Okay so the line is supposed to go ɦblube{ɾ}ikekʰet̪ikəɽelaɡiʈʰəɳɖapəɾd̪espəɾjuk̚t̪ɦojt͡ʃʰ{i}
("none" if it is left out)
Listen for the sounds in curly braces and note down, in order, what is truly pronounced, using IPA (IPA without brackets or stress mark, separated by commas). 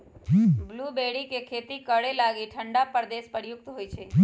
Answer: ɽ, e